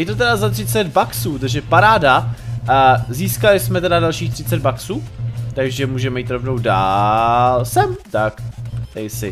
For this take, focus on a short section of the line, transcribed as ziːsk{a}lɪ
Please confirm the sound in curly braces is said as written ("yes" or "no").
yes